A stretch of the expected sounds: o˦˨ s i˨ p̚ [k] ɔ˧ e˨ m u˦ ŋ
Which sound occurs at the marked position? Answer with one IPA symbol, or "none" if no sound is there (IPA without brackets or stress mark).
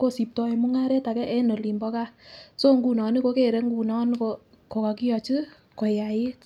t